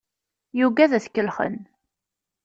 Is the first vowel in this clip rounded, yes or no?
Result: yes